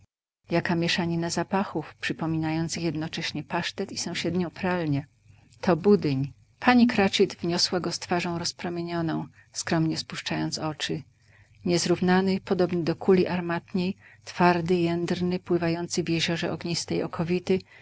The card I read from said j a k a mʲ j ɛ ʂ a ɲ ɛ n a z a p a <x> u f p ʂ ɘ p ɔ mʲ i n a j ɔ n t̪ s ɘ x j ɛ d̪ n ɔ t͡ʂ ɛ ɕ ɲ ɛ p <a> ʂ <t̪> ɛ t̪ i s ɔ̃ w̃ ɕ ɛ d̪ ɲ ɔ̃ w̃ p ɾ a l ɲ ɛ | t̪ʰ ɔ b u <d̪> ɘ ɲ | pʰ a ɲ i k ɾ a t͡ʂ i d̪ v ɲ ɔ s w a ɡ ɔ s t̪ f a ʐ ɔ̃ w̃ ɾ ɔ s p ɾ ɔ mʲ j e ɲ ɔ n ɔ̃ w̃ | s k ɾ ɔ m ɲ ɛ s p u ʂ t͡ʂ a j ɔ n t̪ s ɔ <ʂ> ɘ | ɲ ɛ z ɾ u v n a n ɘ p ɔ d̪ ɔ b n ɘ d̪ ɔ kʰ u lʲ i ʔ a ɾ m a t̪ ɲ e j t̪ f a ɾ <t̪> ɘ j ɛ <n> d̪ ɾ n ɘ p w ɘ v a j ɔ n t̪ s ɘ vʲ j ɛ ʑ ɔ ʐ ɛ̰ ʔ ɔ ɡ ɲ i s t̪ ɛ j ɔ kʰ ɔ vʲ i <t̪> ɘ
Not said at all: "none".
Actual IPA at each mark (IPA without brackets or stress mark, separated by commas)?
x, a, t̪, d̪, t͡ʂ, d̪, n, t̪